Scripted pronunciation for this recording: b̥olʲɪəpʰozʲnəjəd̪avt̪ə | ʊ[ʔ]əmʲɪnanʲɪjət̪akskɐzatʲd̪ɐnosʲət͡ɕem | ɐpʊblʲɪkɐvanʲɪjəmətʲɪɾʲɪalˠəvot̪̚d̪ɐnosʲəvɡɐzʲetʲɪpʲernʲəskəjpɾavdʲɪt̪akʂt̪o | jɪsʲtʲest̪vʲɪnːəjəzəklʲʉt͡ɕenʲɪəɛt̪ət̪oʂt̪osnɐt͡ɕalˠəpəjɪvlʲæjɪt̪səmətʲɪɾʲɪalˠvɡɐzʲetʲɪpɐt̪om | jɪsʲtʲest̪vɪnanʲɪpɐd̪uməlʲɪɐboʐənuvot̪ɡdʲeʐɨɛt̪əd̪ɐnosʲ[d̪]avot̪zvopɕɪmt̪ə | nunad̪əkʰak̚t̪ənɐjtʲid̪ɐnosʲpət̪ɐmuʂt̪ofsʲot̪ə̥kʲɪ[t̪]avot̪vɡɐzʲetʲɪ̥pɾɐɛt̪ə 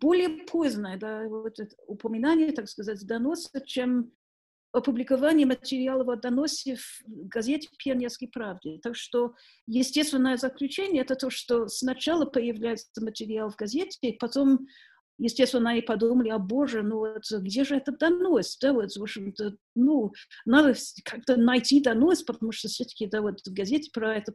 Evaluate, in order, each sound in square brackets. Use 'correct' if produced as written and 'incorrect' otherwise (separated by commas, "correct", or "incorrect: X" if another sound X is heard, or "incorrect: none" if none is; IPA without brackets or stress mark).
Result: incorrect: p, correct, incorrect: d̪